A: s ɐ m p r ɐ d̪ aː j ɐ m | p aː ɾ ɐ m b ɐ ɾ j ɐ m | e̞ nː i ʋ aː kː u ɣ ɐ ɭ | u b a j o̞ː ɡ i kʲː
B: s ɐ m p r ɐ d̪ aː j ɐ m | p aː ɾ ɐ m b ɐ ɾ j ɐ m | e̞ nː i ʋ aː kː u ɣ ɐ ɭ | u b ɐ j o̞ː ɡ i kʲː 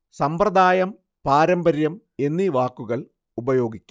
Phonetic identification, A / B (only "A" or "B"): B